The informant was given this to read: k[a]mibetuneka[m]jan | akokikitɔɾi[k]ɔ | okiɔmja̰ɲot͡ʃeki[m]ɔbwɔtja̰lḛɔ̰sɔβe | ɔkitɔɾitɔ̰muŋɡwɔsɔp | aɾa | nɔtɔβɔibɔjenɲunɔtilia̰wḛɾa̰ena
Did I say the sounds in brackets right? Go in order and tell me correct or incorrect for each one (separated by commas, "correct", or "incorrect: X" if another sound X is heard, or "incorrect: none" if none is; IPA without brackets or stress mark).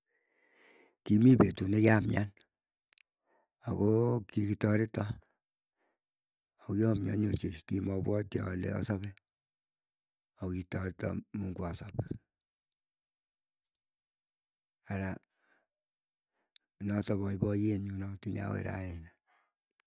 incorrect: i, correct, incorrect: t, correct